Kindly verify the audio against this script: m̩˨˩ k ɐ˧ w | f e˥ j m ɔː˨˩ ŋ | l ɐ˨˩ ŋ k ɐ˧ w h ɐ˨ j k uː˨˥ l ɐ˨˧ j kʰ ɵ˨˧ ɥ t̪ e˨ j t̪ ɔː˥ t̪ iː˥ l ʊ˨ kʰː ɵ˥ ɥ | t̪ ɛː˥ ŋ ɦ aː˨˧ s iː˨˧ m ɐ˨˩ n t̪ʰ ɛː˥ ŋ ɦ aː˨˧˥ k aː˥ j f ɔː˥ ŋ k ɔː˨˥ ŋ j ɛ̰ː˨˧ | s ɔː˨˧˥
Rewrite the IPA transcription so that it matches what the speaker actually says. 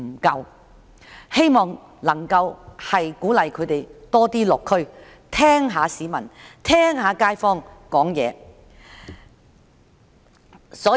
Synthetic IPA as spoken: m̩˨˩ k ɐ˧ w | h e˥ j m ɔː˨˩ ŋ | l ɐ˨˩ ŋ k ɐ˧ w h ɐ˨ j k uː˨˥ l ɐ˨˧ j kʰ ɵ˨˧ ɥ t̪ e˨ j t̪ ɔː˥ t̪ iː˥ l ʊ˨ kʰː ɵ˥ ɥ | t̪ʰ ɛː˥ ŋ ɦ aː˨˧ s iː˨˧ m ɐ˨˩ n t̪ʰ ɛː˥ ŋ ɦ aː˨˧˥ k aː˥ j f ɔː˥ ŋ k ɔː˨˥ ŋ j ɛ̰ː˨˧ | s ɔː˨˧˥

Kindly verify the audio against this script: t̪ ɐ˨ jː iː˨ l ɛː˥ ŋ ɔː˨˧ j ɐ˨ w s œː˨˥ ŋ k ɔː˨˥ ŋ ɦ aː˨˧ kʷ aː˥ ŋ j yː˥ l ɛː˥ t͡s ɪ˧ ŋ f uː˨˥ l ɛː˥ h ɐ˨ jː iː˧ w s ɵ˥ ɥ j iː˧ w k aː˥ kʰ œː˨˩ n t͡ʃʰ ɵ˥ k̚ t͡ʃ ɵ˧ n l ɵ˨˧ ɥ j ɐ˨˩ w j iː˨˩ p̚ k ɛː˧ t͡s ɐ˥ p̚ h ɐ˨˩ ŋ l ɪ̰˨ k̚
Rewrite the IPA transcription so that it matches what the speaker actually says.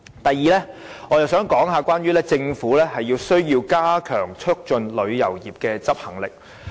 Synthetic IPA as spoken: t̪ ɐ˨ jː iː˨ l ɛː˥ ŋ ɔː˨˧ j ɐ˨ w s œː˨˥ ŋ k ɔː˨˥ ŋ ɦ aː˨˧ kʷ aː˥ n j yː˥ l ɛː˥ t͡s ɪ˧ ŋ f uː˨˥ l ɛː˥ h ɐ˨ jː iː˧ w s ɵ˥ ɥ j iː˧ w k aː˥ kʰ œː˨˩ ŋ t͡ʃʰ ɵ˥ k̚ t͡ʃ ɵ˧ n l ɵ˨˧ ɥ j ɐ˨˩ w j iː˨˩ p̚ k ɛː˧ t͡s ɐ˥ p̚ h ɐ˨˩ ŋ l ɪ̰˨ k̚

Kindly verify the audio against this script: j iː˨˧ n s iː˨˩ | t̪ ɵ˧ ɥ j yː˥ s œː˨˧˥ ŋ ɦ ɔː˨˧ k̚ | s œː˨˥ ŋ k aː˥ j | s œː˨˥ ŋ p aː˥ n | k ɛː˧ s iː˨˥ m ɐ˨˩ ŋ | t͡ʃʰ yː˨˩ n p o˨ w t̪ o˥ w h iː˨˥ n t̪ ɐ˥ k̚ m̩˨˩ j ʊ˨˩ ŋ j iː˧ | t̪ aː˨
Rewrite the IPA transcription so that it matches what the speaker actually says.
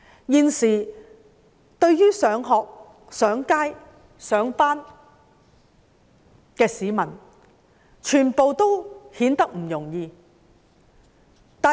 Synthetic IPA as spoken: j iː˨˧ n s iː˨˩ | t̪ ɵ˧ ɥ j yː˥ s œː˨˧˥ ŋ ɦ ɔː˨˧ k̚ | s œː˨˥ ŋ k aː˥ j | s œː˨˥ ŋ p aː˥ n | k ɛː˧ s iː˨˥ m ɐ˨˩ n | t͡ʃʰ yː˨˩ n p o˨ w t̪ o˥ w h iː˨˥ n t̪ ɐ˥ k̚ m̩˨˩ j ʊ˨˩ ŋ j iː˧ | t̪ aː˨

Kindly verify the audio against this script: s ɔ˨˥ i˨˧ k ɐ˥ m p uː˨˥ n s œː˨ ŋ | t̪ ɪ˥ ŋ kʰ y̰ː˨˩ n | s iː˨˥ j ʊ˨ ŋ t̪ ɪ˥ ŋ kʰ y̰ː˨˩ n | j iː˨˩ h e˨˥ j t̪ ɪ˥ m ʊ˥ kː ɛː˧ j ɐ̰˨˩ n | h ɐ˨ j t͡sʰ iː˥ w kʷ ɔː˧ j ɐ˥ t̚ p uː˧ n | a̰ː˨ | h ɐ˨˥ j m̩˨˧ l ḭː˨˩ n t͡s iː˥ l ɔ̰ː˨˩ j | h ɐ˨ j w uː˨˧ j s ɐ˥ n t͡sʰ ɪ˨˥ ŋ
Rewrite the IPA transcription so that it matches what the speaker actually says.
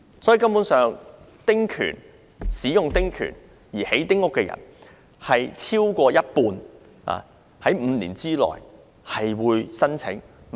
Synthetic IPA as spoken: s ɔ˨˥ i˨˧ k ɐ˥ m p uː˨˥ n s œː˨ ŋ | t̪ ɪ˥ ŋ kʰ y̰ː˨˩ n | s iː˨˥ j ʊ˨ ŋ t̪ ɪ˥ ŋ kʰ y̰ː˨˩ n | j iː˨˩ h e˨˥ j t̪ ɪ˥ ŋ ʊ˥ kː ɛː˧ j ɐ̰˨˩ n | h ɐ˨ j t͡sʰ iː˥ w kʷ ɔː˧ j ɐ˥ t̚ p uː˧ n | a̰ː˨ | h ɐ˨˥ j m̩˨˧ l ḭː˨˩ n t͡s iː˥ l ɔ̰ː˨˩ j | h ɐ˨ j w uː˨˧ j s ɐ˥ n t͡sʰ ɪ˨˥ ŋ

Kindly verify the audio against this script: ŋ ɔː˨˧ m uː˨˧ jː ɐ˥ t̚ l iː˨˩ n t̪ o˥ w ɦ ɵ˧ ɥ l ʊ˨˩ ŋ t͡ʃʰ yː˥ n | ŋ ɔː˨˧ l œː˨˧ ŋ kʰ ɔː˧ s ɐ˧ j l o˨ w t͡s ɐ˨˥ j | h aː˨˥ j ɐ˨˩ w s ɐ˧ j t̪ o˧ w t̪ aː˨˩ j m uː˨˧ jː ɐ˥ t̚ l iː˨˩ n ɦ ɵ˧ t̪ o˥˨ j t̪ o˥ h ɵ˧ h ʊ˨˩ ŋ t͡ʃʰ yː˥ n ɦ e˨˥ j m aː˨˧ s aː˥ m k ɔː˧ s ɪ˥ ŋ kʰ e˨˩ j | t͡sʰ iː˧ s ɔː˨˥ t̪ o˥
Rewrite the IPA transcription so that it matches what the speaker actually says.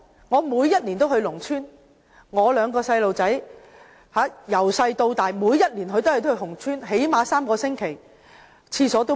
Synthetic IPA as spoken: ŋ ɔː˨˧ m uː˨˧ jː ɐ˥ t̚ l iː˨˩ n t̪ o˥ w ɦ ɵ˧ ɥ l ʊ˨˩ ŋ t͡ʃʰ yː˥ n | ŋ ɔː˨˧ l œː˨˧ ŋ k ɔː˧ s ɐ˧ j l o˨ w t͡s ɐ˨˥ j | h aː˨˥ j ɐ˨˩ w s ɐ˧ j t̪ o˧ w t̪ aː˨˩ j m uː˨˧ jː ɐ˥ t̚ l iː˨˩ n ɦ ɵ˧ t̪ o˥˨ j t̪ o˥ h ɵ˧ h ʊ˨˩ ŋ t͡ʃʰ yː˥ n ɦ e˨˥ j m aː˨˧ s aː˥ m k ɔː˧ s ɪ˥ ŋ kʰ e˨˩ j | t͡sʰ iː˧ s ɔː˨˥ t̪ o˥

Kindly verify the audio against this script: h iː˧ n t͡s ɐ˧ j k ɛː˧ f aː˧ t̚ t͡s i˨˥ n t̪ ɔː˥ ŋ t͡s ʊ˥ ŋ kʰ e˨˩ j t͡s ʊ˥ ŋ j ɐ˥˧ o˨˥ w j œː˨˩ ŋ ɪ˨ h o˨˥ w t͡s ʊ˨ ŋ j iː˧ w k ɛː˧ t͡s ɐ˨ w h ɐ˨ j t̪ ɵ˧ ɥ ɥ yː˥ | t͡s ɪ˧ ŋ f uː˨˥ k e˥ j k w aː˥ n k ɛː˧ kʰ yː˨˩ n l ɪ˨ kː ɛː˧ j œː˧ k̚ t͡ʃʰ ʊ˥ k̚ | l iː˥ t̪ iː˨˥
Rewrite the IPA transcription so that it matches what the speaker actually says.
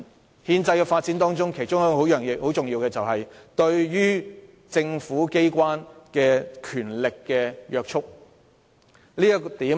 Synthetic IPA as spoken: h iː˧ n t͡s ɐ˧ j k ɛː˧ f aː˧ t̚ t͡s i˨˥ n t̪ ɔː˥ ŋ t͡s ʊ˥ ŋ kʰ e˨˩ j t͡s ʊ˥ ŋ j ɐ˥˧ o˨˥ w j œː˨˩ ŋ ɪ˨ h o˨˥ w t͡s ʊ˨ ŋ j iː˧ w k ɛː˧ t͡s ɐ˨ w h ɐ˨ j t̪ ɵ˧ ɥ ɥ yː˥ | t͡s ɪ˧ ŋ f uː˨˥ k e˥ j k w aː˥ n k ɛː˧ kʰ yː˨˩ n l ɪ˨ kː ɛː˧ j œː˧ k̚ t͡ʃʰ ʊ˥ k̚ | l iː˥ t̪ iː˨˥

